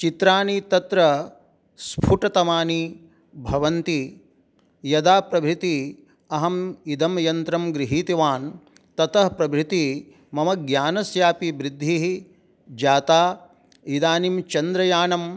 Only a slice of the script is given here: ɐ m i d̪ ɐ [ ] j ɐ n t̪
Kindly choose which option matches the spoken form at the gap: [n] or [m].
m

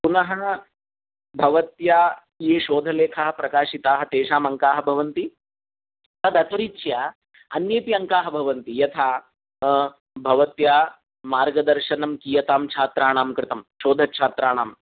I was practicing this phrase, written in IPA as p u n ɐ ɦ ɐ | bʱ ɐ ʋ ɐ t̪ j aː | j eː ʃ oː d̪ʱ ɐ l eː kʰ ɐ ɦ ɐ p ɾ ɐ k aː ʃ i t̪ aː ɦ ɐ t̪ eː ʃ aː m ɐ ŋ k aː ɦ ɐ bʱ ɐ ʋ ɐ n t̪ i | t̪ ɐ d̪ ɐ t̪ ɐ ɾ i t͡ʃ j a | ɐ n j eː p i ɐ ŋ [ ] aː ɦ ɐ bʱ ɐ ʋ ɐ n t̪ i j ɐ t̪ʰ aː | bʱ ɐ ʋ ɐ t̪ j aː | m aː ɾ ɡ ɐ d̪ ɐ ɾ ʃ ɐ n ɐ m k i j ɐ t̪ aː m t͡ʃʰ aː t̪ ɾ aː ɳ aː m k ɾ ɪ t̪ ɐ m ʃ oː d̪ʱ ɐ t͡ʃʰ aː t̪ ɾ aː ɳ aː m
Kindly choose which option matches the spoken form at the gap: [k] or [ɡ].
k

